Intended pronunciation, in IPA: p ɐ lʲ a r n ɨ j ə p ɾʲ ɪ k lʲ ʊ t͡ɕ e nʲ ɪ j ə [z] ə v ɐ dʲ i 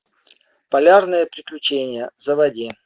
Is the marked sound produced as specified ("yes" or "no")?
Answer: yes